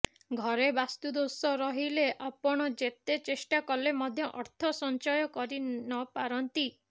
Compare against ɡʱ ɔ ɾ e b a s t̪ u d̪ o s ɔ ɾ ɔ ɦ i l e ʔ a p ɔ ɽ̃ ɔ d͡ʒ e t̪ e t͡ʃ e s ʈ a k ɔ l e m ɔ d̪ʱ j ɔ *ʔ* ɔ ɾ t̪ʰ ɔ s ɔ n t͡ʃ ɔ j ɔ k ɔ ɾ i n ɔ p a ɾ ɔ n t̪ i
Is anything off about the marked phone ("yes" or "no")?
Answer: no